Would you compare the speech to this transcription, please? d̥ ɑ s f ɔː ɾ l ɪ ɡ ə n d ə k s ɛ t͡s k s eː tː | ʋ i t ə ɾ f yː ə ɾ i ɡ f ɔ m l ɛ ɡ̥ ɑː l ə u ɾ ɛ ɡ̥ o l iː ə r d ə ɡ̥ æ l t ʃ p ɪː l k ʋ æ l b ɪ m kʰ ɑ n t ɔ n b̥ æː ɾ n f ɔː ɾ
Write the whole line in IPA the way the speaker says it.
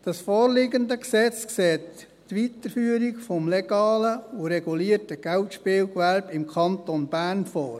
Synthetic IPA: d̥ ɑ s f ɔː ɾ l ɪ ɡ ə n d ə k s ɛ t͡s k s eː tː | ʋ i t ə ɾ f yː ə ɾ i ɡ f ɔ m l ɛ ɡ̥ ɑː l ə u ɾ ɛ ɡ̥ u l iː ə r t ə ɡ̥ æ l t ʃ p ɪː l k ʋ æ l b ɪ m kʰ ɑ n t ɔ n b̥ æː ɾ n f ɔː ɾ

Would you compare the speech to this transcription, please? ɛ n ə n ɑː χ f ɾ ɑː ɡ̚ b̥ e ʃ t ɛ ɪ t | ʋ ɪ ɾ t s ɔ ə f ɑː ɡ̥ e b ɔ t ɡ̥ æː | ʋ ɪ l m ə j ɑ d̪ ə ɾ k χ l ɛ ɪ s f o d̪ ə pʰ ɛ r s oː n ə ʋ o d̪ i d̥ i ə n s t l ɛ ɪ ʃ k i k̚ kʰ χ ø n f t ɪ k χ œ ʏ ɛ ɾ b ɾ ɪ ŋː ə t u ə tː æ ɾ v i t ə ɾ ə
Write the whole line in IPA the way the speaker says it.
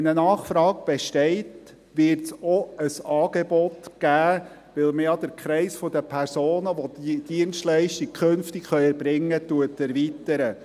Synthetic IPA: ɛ n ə n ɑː χ f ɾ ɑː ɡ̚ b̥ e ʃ t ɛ ɪ t | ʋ ɪ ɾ t s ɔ ə s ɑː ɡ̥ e b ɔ t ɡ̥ æː | ʋ ɪ l m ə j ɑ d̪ ə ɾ k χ ɾ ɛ ɪ s f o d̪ ə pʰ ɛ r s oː n ə ʋ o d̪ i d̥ i ə n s t l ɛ ɪ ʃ t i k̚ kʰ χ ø n f t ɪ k χ œ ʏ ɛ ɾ b ɾ ɪ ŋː ə t u ə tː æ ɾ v i t ə ɾ ə

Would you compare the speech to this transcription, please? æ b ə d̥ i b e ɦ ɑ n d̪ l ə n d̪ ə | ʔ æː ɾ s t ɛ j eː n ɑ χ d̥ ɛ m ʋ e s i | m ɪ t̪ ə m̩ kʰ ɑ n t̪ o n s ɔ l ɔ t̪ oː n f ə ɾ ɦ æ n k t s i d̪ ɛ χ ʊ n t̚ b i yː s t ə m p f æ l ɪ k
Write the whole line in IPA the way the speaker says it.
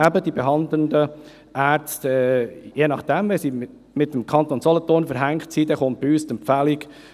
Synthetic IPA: æ b ə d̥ i b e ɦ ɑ n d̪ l ə n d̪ ə | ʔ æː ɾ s t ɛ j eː n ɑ χ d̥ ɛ m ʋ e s i | m ɪ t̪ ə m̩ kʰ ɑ n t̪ o n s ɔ l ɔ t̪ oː n f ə ɾ ɦ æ ŋ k t s i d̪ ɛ χ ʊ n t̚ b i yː s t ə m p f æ l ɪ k

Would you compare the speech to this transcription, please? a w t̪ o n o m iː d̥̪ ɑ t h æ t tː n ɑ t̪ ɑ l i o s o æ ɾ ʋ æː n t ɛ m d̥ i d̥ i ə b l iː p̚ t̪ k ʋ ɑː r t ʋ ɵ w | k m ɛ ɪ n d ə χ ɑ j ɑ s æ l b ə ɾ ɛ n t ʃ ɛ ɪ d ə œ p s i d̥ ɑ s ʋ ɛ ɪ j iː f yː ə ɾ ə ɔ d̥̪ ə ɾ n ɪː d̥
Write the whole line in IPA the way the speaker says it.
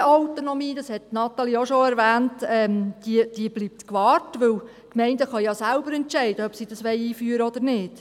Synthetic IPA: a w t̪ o n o m iː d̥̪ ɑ s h ɛ t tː n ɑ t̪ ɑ l i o ʃ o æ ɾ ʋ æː n t ɛ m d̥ i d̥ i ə b l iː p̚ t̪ k ʋ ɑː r t ʋ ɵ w | k m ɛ ɪ n d ə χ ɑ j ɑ s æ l b ə ɾ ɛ n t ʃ ɛ ɪ d ə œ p s i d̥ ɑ s ʋ ɛ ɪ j iː f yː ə ɾ ə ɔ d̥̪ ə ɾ n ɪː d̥

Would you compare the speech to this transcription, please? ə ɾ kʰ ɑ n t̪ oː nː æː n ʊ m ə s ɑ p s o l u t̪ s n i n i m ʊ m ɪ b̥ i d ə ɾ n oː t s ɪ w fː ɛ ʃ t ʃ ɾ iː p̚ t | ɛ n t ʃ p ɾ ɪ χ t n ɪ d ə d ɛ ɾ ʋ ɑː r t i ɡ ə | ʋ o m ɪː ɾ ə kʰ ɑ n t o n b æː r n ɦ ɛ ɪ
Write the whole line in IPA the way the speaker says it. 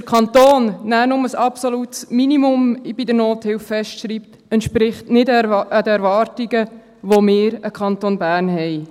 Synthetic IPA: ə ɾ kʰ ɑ n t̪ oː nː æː n ʊ m ə s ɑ p s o l u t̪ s m i n i m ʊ m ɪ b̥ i d ə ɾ n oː t h ɪ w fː ɛ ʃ t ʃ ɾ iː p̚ t | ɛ n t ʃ p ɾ ɪ χ t n ɪ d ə d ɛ ɾ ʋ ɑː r t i ɡ ə | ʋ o m ɪː ɾ ə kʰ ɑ n t o n b æː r n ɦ ɛ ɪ

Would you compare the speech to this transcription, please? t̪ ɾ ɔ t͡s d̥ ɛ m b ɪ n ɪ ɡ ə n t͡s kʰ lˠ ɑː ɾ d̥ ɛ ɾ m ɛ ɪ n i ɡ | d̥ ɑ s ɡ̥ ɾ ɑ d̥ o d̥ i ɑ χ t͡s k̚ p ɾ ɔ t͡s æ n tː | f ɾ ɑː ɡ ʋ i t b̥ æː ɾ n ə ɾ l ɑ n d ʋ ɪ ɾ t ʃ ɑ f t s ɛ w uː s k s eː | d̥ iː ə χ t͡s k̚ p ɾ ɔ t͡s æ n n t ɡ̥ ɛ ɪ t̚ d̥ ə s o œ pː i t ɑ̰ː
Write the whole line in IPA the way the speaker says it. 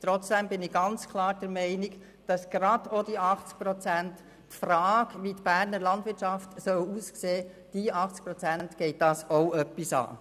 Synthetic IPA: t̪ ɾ ɔ t͡s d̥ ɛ m b ɪ n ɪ ɡ ɑ n t͡s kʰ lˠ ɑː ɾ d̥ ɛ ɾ m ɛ ɪ n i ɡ | d̥ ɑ s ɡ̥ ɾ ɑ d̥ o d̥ i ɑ χ t͡s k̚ p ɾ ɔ t͡s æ n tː | f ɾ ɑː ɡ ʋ i t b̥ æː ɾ n ə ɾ l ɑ n d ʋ ɪ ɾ t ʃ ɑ f t s œ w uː s k s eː | d̥ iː ɑ χ t͡s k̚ p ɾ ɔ t͡s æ n n t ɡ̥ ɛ ɪ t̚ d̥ ɑ s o œ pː i s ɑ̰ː

